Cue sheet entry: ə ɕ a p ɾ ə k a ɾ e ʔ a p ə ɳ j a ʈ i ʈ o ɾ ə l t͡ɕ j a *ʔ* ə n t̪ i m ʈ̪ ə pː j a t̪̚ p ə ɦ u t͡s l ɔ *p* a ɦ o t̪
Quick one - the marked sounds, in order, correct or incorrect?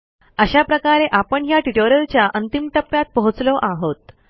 correct, incorrect: ʔ

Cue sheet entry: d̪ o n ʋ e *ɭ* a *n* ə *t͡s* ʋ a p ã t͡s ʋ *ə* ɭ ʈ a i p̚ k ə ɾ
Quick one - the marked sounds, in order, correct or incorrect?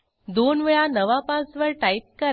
correct, correct, incorrect: none, correct

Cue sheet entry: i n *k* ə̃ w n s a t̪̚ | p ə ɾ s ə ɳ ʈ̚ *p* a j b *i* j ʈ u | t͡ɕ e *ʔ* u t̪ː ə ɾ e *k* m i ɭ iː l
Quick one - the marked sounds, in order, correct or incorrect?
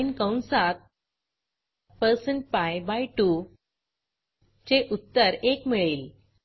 correct, correct, incorrect: a, correct, correct

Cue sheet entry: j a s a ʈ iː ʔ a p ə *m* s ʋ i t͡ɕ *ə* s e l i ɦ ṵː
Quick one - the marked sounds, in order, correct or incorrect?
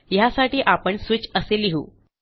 incorrect: ɳ, correct

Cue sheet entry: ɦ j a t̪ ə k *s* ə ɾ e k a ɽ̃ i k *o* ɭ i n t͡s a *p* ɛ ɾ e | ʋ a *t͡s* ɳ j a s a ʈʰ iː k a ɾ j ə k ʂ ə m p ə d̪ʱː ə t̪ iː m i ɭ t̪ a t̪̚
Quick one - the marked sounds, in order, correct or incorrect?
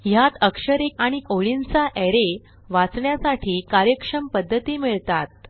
incorrect: ʂ, correct, incorrect: ʔ, correct

